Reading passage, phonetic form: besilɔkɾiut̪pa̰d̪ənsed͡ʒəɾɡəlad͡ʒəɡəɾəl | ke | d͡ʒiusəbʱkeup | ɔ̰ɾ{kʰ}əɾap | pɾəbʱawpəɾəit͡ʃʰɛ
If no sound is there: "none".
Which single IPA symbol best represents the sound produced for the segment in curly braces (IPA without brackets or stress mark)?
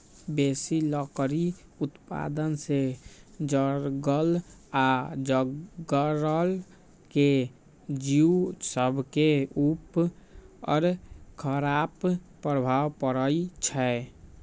kʰ